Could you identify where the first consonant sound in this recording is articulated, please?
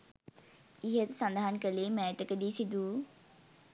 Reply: glottal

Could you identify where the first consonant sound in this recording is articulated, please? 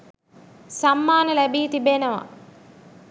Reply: alveolar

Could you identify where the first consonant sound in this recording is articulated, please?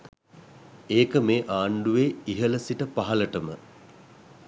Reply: velar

